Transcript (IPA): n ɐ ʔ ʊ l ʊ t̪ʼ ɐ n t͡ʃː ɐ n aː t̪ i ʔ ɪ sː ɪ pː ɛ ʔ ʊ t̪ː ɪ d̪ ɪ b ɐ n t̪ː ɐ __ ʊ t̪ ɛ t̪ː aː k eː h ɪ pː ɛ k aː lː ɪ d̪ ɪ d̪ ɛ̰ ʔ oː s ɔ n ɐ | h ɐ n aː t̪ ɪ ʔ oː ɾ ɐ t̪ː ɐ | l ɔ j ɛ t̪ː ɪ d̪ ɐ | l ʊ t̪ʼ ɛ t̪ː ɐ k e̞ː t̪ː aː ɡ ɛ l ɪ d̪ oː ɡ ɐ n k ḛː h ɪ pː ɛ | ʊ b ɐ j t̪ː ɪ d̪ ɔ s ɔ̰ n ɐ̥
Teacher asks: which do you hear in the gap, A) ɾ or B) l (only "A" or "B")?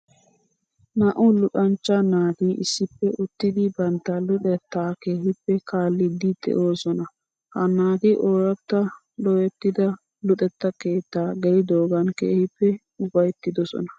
B